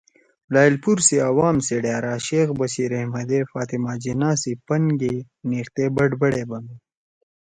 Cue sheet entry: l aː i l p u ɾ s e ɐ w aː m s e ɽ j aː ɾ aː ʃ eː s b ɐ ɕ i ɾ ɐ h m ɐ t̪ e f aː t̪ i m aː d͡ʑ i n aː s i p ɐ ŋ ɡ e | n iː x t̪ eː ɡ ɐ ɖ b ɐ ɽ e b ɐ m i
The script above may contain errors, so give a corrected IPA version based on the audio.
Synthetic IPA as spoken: l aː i l p u ɾ s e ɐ w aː m s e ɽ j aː ɾ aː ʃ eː x b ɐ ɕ i ɾ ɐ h m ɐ d̪ e f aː t̪ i m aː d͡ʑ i n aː s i p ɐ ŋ ɡ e | n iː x t̪ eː b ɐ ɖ b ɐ ɽ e b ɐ m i

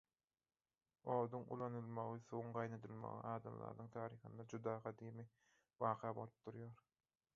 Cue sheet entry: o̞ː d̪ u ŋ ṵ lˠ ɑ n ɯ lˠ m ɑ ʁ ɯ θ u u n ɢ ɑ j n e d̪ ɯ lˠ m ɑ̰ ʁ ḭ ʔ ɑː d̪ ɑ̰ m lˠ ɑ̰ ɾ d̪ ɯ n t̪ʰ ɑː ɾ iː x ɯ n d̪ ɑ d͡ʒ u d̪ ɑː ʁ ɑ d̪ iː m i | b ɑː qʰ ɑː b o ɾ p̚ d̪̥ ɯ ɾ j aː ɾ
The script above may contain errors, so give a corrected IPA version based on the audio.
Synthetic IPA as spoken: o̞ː d̪ u ŋ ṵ lˠ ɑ n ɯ lˠ m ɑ ʁ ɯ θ u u ŋ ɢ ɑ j n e d̪ ɯ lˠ m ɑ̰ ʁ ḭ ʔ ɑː d̪ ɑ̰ m lˠ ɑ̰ ɾ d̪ ɯ ŋ t̪ʰ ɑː ɾ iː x ɯ n d̪ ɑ d͡ʒ u d̪ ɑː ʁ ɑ d̪ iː m i | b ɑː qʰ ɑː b o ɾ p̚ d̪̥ u ɾ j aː ɾ

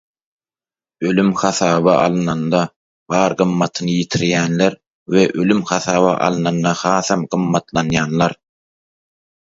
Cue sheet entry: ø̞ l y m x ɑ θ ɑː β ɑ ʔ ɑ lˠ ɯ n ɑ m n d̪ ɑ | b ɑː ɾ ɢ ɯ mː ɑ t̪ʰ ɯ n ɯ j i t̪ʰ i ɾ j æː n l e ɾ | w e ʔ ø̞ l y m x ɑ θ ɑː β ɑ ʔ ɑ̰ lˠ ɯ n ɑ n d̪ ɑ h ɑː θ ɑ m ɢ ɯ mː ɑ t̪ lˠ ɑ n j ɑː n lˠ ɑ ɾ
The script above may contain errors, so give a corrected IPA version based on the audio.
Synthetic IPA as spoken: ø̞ l y m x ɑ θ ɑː β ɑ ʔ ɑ lˠ ɯ n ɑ n d̪ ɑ | b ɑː ɾ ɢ ɯ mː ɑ t̪ʰ ɯ n ɯ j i t̪ʰ i ɾ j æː n l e ɾ | w e ʔ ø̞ l y m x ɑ θ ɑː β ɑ ʔ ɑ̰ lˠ ɯ n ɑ n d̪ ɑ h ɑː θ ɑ m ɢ ɯ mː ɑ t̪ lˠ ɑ n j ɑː n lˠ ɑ ɾ

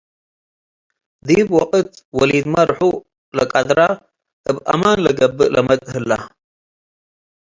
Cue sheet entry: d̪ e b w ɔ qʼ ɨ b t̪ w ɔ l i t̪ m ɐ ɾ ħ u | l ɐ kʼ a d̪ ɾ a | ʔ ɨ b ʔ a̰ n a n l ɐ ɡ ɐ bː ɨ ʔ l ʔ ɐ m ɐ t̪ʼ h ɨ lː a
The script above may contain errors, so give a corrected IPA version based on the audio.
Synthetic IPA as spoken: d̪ i b w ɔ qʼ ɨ t̪ w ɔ l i d̪ m ɐ ɾ ħ u | l ɐ kʼ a d̪ ɾ a | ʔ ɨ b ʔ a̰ m a n l ɐ ɡ ɐ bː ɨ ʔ l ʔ ɐ m ɐ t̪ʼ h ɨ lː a

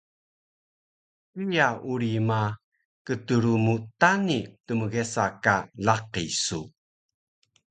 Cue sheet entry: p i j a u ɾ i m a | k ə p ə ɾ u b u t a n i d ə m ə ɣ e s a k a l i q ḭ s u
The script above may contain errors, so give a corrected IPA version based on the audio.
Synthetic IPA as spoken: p i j a u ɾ i m a | k ə t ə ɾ u m u t a n i t ə m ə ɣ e s a k a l a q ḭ s u

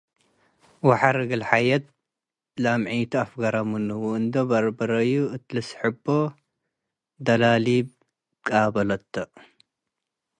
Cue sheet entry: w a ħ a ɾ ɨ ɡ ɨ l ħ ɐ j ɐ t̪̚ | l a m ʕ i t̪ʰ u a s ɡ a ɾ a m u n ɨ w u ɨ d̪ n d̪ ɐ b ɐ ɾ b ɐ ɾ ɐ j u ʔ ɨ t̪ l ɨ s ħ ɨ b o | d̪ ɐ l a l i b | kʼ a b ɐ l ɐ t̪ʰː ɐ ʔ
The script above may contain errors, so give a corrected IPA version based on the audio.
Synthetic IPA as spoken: w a ħ a ɾ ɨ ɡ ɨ l ħ a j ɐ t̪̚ | l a m ʕ i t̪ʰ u a f ɡ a ɾ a m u n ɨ w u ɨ n d̪ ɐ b ɐ ɾ b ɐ ɾ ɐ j u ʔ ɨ t̪ l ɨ s ħ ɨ b o | d̪ ɐ l a l i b | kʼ a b ɐ l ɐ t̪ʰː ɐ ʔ

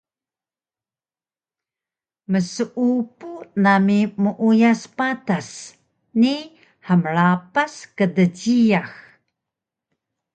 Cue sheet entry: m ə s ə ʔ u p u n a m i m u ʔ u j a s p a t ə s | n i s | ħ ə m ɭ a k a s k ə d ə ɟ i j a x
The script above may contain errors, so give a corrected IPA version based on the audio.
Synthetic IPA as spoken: m ə s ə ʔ u p u n a m i m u ʔ u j a s p a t a s | n i | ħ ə m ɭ a p a s k ə d ə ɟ i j a x

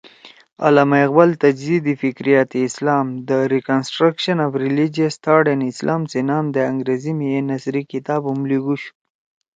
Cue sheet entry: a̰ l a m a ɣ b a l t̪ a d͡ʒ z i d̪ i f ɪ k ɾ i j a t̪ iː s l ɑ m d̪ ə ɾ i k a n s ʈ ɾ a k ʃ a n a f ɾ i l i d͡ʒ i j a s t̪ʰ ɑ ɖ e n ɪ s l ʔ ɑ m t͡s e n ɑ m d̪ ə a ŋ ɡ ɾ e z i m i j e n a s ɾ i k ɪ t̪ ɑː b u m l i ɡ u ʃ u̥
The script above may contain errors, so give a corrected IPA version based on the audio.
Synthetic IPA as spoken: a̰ l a m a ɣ b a l t̪ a d͡ʒ z i d̪ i f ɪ k ɾ i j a t̪ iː s l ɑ m d̪ ə ɾ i k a n s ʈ ɾ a k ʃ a n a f ɾ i l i d͡ʒ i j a s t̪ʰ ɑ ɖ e n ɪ s l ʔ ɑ m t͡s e n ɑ m d̪ ə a ŋ ɡ ɾ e z i m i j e n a s ɾ i k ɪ t̪ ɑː b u m l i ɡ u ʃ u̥

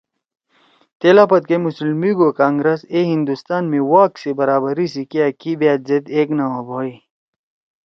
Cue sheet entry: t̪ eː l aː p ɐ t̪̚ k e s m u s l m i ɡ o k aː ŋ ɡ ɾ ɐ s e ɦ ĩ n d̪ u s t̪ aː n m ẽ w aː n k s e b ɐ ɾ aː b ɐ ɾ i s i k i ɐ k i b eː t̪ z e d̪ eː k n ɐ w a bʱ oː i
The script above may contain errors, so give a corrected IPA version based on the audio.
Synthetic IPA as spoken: t̪ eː l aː p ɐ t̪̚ k e m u s l m i ɡ o k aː ŋ ɡ ɾ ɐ s e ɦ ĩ n d̪ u s t̪ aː n m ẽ w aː k s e b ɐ ɾ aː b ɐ ɾ i s i k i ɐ k i b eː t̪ z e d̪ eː k n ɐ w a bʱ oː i

